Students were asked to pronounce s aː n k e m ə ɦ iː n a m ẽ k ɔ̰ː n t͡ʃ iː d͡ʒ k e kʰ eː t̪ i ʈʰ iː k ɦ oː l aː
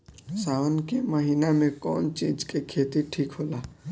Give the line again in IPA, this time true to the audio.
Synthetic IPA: s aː n k e m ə ɦ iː n a m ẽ k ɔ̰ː n t͡ʃ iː d͡ʒ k e kʰ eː t̪ i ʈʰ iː k ɦ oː l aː